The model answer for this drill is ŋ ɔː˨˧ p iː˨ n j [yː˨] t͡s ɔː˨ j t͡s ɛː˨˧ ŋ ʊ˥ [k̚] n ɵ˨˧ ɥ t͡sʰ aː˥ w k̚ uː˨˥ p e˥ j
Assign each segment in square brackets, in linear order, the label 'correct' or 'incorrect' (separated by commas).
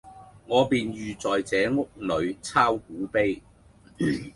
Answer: correct, correct